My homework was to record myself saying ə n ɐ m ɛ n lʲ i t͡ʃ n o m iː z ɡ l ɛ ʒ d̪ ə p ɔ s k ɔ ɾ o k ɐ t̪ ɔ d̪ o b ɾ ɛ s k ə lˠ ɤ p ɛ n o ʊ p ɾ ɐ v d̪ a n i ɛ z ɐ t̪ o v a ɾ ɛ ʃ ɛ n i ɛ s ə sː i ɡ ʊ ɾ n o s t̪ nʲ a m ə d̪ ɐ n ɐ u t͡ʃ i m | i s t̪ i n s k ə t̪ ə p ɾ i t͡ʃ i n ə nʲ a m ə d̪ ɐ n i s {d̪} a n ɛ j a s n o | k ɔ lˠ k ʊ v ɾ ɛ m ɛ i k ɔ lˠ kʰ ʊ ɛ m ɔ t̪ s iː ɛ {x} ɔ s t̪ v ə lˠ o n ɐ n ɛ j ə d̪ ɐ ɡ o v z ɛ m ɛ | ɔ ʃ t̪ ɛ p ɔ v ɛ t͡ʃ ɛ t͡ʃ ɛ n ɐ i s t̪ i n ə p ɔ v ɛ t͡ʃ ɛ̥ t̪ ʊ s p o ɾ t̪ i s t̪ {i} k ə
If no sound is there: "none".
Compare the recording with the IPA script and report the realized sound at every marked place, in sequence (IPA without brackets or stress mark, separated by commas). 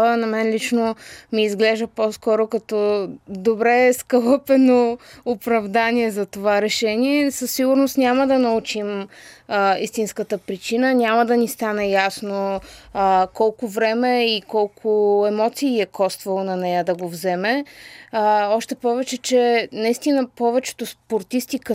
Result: t̪, k, i